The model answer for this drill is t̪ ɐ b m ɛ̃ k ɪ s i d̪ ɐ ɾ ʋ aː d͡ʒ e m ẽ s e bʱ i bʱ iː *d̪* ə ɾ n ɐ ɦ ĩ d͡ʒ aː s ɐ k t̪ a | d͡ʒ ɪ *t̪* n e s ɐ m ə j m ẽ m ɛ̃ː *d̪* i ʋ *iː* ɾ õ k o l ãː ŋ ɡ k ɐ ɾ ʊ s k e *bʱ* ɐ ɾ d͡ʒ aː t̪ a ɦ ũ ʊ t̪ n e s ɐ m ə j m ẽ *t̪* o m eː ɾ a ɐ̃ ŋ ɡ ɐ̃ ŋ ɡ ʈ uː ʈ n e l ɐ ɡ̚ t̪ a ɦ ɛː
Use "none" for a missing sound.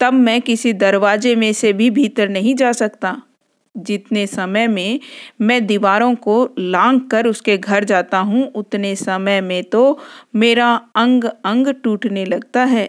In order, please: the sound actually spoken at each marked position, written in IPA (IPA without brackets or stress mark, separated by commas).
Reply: t̪, t̪, d̪, aː, ɡʱ, t̪